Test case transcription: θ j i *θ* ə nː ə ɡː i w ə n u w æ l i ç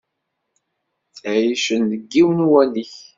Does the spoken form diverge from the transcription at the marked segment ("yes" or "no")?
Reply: yes